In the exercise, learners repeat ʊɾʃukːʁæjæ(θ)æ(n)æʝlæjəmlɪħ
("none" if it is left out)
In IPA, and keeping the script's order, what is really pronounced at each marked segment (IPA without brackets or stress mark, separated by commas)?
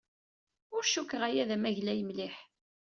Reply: ð, m